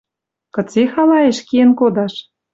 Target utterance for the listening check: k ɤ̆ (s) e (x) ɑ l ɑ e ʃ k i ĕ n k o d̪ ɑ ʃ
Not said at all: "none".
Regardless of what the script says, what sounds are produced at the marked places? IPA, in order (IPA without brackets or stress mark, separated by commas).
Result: t͡s, x